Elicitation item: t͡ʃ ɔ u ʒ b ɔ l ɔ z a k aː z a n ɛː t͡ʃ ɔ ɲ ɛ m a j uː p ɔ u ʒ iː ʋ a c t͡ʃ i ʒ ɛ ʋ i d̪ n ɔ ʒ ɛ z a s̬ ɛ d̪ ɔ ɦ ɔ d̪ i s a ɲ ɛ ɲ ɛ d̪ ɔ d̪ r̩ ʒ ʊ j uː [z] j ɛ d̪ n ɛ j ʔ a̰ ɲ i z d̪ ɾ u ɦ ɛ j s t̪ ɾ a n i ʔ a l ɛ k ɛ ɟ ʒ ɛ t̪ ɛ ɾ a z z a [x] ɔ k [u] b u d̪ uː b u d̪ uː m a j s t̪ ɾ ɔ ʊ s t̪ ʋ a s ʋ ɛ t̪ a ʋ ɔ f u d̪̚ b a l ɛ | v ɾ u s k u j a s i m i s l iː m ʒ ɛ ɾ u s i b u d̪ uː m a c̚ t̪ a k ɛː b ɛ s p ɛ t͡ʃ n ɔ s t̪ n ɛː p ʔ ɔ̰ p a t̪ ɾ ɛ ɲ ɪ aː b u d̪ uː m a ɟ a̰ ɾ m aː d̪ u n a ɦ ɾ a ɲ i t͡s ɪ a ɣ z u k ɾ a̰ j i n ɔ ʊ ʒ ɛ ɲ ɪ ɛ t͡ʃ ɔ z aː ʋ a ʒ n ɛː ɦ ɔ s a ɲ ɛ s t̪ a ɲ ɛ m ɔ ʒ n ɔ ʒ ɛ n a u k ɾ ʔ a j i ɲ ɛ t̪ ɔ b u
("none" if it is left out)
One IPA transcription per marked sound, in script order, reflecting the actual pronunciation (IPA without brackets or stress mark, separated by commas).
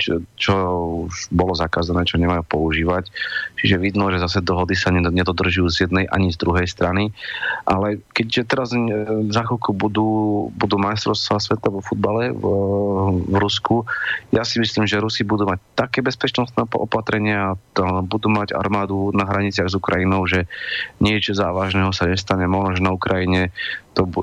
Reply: z, x, u